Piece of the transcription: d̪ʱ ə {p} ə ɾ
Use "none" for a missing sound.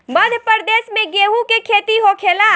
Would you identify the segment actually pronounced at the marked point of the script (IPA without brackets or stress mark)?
p